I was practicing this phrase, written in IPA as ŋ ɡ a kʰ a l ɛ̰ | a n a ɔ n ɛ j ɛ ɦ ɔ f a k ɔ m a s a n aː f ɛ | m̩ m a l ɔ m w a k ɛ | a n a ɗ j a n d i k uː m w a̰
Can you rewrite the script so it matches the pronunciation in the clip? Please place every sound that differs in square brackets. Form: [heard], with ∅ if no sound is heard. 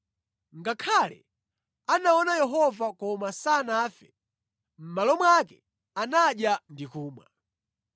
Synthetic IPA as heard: ŋ ɡ a kʰ a l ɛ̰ | a n a ɔ n [a] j ɛ ɦ ɔ [v] a k ɔ m a s a n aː f ɛ | m̩ m a l ɔ m w a k ɛ | a n a ɗ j a n d i k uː m w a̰